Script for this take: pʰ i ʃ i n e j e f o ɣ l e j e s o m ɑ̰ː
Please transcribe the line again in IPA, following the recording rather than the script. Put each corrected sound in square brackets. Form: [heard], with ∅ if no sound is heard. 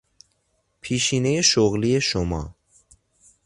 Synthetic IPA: pʰ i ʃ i n e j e [ʃ] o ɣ l [i] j e [ʃ] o m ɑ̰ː